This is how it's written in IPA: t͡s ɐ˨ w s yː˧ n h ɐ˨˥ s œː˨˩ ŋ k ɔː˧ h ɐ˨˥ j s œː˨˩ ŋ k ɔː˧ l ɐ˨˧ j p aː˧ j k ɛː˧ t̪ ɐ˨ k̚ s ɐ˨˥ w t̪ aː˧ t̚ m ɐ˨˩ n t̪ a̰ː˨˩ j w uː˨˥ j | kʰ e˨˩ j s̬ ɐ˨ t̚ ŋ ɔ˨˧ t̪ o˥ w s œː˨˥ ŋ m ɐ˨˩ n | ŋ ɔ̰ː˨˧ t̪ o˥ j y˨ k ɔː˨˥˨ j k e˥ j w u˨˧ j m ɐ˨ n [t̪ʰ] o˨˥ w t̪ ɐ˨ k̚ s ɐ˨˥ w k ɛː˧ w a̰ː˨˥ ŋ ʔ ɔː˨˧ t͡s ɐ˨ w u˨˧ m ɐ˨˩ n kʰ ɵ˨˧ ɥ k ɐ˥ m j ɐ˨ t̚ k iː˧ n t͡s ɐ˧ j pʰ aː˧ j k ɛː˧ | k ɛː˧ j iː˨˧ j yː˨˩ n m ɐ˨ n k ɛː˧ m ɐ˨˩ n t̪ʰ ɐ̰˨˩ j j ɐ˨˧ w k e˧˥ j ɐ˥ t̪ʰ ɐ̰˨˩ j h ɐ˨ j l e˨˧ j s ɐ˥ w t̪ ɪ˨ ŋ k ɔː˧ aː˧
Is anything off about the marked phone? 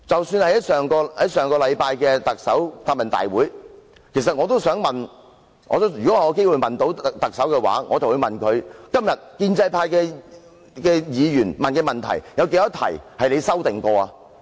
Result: yes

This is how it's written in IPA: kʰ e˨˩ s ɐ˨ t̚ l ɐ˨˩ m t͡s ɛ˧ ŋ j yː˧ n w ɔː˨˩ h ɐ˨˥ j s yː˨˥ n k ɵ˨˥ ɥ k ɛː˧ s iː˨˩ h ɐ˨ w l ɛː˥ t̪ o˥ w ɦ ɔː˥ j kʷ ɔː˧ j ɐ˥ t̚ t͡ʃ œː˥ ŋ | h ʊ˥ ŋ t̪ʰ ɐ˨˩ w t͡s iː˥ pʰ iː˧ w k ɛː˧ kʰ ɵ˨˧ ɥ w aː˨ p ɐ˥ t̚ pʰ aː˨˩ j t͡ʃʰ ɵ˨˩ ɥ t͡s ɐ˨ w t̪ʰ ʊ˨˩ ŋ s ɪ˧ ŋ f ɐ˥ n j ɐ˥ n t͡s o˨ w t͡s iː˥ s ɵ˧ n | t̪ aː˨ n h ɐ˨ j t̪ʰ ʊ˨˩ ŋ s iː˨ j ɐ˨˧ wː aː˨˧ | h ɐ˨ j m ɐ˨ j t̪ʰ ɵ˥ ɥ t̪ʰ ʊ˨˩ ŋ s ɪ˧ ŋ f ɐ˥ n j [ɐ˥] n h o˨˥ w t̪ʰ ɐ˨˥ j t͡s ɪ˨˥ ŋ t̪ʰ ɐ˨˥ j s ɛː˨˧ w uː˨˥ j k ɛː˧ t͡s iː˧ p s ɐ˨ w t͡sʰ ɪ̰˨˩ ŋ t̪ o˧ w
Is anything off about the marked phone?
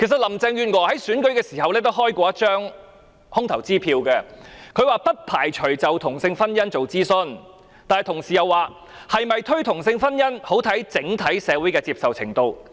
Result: no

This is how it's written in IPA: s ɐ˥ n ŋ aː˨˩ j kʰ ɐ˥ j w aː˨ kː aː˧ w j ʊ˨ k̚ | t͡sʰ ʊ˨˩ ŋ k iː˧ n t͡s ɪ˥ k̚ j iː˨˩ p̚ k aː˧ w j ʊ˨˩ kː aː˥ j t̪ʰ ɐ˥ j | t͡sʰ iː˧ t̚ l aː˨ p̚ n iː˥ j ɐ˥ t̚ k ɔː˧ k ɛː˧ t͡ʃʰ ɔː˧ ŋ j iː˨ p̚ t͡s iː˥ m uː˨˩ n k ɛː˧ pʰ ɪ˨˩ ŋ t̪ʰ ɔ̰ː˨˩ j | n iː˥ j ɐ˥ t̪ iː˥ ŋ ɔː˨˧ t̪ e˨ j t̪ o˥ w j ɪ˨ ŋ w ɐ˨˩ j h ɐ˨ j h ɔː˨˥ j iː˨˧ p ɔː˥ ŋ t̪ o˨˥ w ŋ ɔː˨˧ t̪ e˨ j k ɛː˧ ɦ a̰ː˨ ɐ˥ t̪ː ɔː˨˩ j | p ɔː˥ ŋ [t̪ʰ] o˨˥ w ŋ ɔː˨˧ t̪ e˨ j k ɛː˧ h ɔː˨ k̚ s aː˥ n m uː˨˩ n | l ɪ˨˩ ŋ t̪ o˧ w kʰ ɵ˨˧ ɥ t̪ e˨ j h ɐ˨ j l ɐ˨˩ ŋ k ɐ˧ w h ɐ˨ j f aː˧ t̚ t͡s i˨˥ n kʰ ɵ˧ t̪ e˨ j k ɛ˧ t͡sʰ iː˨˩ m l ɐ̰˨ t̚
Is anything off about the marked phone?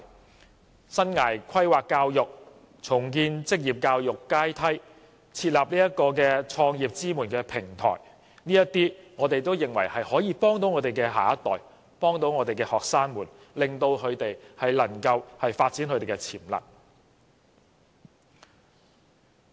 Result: yes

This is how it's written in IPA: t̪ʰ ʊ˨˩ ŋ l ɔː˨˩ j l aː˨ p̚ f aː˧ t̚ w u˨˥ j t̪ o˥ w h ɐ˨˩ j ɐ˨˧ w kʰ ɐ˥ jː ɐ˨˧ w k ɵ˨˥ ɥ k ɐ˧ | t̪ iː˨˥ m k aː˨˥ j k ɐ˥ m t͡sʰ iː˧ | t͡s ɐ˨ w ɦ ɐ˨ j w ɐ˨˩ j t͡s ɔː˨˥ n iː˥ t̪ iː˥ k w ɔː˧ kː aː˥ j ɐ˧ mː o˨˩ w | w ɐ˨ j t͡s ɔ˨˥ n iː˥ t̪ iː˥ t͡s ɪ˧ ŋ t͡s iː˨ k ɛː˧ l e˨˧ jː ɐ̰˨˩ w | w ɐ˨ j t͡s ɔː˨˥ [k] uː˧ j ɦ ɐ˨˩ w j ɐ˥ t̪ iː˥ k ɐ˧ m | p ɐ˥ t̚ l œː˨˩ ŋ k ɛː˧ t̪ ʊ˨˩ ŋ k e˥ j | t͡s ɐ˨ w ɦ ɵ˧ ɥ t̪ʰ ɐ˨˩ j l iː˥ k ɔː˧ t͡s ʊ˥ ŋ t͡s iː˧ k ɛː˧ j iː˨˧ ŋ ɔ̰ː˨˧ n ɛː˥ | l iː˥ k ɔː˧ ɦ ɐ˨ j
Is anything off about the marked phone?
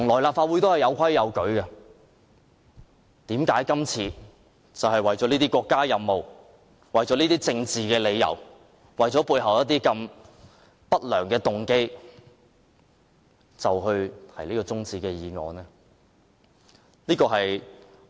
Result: yes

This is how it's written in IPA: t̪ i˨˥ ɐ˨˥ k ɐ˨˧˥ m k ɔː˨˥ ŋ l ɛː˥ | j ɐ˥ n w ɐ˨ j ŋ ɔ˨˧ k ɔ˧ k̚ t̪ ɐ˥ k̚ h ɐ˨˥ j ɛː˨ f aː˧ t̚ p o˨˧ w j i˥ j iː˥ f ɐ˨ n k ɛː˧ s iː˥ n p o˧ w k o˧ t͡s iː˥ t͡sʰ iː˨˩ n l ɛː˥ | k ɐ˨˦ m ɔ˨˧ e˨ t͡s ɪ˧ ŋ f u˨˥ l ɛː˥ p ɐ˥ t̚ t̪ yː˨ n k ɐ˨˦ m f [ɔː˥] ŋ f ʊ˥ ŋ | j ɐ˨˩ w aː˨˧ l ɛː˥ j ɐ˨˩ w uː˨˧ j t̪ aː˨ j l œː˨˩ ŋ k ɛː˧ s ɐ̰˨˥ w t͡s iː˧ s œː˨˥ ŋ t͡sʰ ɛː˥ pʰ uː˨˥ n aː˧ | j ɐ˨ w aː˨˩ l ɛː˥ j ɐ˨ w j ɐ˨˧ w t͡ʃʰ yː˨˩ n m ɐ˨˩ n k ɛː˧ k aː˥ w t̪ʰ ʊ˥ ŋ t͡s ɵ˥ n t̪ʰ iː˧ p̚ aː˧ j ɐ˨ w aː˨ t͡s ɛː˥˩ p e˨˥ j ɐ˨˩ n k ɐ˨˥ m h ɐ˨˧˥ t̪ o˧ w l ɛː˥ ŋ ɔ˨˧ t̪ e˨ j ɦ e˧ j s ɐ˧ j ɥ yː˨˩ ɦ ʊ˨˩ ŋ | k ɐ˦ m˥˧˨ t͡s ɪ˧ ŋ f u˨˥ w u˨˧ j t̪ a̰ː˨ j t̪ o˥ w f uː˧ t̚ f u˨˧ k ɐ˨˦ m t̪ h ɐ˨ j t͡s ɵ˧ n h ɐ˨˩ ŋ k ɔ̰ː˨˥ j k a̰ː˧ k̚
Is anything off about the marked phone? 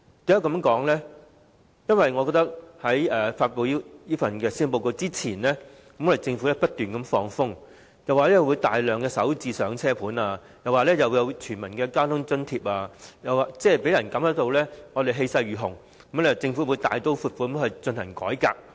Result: yes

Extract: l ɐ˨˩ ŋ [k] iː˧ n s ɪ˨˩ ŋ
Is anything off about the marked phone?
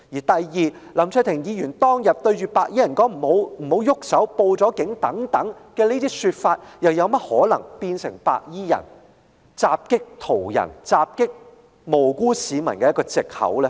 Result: yes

